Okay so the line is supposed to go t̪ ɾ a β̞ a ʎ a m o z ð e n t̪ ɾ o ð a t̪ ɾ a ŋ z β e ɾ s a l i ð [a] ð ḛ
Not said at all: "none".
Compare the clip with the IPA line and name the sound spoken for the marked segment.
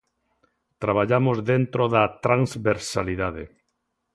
a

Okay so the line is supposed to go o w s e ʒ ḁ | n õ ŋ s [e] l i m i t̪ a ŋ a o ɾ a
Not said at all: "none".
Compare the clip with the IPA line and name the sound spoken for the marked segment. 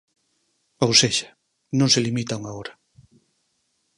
e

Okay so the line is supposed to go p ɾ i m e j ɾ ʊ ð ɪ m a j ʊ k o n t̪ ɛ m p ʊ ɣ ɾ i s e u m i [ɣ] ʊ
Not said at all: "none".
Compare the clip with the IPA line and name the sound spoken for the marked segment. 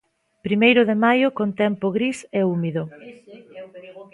ð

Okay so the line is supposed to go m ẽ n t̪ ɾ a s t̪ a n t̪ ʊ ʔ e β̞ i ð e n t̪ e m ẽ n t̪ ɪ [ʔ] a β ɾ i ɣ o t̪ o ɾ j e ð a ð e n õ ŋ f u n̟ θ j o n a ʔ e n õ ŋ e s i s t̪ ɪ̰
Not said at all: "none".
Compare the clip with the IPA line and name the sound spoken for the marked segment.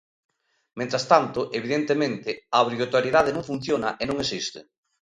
none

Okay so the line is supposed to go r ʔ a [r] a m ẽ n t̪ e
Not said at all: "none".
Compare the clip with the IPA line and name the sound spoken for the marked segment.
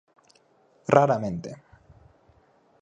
ɾ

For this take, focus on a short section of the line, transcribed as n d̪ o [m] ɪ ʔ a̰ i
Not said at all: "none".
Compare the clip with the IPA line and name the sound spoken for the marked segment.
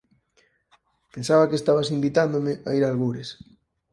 m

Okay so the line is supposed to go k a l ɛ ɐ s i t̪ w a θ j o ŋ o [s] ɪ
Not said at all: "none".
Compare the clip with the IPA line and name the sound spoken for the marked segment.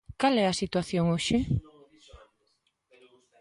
ʃ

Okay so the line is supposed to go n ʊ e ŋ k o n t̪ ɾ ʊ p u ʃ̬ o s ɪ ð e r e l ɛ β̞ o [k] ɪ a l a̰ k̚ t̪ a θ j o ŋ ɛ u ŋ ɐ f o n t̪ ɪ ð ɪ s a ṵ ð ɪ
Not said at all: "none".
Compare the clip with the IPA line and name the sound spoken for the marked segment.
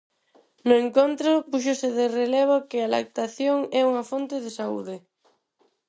k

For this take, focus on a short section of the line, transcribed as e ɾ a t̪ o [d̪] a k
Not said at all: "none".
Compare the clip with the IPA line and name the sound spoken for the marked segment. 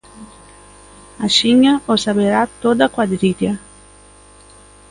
d̪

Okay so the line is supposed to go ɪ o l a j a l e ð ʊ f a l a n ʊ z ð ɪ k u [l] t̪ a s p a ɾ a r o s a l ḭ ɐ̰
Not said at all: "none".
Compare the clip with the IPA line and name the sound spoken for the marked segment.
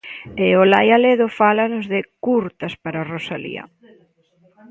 ɾ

